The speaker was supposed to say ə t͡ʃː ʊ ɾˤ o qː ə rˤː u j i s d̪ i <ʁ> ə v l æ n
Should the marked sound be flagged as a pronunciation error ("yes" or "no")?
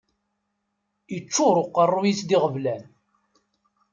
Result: no